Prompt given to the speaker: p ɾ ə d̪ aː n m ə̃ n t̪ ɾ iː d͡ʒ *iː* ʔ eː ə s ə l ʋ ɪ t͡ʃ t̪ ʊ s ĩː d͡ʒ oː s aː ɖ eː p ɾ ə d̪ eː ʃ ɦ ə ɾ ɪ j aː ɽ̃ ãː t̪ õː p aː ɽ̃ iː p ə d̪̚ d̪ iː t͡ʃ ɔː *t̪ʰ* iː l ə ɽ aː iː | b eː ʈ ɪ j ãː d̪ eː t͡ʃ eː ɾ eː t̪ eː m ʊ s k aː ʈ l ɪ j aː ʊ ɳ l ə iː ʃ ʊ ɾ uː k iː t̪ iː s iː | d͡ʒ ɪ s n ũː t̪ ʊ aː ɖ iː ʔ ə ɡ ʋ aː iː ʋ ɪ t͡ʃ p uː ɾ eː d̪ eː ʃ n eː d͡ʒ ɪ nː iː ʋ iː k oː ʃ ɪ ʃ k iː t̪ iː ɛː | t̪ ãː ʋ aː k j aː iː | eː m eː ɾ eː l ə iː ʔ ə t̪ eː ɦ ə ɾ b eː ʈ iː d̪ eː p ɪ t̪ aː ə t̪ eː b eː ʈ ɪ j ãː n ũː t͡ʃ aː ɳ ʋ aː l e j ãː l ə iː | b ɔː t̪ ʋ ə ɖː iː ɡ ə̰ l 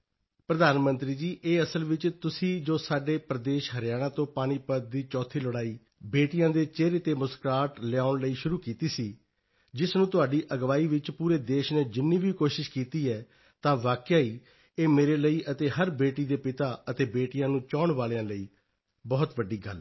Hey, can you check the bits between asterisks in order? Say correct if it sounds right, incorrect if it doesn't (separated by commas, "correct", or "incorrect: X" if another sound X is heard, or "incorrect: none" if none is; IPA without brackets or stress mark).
correct, correct